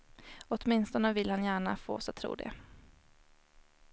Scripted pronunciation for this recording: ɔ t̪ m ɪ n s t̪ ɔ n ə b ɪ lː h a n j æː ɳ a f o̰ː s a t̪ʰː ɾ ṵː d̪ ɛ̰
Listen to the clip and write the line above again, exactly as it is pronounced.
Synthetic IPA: ɔ t̪ m ɪ n s t̪ ɔ n ə v ɪ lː h a n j æː ɳ a f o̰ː s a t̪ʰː ɾ ṵː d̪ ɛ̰